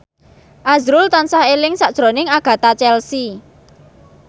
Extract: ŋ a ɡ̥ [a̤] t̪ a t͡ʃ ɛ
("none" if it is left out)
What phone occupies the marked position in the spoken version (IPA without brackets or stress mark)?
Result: a̤